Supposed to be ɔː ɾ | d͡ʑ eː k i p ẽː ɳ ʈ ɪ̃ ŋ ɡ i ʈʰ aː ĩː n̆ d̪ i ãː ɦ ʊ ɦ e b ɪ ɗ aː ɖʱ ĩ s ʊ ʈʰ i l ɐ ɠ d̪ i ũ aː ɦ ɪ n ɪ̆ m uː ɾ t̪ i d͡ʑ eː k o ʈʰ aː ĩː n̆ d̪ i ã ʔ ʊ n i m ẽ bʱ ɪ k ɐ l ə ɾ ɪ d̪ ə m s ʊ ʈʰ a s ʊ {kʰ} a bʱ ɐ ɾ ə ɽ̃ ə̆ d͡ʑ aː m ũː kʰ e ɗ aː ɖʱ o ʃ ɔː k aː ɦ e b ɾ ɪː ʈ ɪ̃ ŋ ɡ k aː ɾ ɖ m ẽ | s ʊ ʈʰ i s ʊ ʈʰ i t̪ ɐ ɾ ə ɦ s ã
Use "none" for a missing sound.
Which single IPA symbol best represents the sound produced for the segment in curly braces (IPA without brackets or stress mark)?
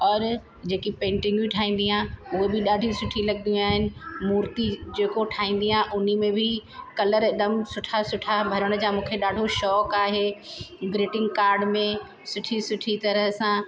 ʈʰ